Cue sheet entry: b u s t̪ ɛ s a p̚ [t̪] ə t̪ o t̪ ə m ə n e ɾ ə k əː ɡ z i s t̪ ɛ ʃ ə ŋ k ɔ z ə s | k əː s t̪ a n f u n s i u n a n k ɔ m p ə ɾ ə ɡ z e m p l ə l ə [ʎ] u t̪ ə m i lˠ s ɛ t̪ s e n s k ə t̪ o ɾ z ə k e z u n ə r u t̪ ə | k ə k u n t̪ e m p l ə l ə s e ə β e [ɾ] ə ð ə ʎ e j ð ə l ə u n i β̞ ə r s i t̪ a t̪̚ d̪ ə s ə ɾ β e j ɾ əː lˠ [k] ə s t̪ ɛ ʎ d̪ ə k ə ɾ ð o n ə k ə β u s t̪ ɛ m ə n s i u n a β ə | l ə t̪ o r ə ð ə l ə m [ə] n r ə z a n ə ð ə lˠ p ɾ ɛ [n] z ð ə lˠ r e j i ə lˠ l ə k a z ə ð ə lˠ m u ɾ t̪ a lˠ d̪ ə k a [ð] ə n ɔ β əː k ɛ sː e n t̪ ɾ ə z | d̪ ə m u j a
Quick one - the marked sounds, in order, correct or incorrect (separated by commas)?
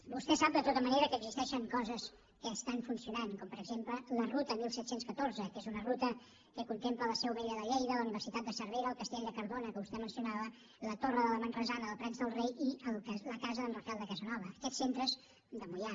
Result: incorrect, incorrect, incorrect, correct, correct, correct, incorrect